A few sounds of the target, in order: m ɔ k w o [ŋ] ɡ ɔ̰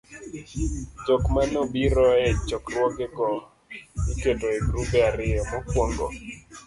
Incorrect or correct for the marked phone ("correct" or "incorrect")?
correct